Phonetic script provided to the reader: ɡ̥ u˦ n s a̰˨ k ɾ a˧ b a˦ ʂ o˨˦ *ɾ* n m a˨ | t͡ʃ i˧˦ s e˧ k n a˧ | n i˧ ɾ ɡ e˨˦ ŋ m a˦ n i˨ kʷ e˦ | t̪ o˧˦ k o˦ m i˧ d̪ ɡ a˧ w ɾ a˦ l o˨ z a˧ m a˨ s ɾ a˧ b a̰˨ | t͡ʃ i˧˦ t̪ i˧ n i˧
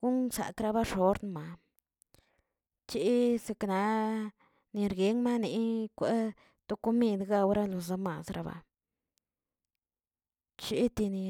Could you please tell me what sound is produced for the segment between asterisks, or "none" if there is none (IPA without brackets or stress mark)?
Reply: ɾ